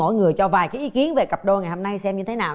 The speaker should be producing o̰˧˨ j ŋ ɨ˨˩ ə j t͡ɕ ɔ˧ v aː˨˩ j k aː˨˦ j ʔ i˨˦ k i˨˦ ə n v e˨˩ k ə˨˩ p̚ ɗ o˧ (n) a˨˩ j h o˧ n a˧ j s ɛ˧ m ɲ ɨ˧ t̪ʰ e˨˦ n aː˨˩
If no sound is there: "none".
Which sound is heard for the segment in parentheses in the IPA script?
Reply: ŋ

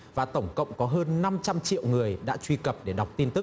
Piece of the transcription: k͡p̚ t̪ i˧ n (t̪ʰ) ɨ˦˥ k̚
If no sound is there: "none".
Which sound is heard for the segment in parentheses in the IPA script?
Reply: t̪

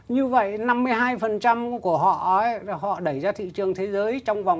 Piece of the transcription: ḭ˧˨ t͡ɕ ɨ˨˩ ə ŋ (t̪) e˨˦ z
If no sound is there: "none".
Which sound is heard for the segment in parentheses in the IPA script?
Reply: t̪ʰ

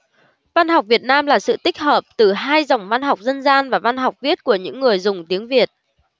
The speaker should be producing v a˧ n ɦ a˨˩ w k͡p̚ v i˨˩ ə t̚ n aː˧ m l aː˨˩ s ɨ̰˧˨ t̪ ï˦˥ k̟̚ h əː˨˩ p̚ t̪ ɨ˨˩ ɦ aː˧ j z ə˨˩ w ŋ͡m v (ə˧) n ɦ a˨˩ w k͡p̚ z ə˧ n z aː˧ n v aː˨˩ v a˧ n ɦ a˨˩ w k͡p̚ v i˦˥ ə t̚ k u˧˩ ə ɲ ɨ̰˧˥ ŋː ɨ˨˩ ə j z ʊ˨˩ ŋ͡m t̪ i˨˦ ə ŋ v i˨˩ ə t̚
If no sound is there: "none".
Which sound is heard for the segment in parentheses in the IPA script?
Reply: a˧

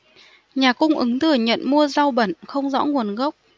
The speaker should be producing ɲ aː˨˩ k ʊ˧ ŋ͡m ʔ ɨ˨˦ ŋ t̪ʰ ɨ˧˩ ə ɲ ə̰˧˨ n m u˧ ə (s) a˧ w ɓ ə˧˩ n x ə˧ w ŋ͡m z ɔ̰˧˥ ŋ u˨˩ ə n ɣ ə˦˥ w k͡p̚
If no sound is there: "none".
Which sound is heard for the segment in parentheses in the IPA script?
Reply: z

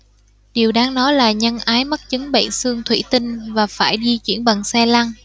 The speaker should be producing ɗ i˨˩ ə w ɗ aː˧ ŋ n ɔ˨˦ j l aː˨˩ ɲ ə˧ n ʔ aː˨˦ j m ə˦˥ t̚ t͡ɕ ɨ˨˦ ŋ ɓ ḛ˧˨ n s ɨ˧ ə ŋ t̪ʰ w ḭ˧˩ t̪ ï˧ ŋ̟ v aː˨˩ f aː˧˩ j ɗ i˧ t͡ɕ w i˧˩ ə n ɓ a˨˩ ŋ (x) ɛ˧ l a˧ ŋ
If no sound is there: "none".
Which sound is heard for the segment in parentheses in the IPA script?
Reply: s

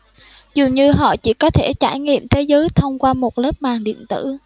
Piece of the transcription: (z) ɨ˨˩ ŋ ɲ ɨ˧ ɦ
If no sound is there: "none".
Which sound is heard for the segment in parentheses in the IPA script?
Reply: z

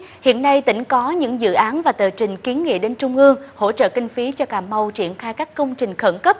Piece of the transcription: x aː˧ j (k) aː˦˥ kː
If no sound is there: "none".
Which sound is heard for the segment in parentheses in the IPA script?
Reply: k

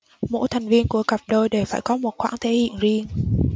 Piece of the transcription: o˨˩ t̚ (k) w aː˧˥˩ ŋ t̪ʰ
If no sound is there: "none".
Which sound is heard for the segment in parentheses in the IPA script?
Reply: x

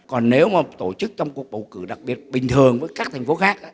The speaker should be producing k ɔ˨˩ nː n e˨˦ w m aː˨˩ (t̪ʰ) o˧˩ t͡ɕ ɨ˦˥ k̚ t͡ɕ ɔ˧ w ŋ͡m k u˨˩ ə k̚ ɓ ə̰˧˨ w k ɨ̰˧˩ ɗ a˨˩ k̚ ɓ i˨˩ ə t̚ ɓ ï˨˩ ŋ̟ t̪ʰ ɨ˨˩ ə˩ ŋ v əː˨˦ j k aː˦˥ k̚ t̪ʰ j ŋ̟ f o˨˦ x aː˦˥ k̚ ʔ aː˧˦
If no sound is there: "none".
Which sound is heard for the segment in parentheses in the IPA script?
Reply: t̪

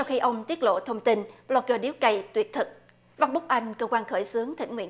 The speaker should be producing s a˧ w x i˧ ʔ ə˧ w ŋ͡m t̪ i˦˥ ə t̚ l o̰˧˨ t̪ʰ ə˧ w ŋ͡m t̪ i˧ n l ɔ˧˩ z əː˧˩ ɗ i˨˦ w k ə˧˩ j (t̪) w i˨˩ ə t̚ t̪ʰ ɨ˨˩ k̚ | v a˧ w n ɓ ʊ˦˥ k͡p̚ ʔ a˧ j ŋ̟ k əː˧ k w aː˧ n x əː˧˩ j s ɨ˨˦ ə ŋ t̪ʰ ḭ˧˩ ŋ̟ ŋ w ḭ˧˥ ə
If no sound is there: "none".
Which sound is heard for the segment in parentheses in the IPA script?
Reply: t̪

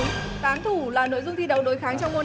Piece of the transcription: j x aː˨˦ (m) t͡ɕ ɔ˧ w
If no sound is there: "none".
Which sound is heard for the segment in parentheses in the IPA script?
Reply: ŋ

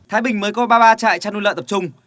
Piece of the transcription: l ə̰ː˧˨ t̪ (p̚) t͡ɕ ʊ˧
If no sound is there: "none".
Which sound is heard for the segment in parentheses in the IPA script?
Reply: p̚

